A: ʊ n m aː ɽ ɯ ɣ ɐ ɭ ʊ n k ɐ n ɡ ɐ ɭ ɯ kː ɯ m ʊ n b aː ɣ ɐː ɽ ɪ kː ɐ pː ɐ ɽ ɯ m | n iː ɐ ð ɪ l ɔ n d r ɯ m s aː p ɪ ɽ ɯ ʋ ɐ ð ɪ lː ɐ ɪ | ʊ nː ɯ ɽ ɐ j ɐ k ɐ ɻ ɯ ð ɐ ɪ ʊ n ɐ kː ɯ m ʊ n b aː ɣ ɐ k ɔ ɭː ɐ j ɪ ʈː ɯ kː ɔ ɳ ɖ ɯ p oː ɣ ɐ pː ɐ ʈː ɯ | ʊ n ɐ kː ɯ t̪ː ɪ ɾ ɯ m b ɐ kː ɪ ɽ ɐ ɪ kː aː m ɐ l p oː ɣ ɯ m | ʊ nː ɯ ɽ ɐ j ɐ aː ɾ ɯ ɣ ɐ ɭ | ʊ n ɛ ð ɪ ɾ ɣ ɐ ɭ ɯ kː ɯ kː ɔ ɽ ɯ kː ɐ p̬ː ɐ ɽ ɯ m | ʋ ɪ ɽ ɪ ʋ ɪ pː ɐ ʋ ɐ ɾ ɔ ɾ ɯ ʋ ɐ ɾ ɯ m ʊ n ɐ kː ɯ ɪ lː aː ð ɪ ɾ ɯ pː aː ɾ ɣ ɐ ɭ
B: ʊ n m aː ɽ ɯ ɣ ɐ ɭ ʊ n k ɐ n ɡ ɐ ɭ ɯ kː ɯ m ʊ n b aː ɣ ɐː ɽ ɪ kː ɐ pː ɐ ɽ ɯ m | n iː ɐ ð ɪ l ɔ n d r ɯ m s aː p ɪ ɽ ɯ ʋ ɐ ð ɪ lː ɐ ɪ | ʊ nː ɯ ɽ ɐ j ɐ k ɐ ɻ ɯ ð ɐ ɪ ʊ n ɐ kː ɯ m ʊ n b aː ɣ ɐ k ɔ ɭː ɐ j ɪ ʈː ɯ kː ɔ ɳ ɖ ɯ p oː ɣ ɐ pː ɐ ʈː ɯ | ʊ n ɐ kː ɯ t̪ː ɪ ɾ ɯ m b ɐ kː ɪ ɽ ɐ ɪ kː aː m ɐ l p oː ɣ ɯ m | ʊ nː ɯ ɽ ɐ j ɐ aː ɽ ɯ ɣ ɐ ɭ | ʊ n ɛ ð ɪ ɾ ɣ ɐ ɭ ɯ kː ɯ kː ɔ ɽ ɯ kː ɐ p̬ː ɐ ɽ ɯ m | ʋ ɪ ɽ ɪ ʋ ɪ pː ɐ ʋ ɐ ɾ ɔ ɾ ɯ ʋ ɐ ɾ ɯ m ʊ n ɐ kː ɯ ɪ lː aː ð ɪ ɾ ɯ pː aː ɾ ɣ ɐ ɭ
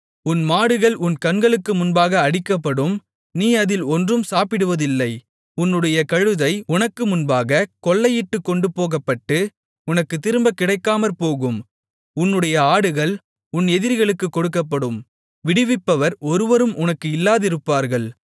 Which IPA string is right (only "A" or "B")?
B